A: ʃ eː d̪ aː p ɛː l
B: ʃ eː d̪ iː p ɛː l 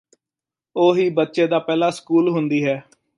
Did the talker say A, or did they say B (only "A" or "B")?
A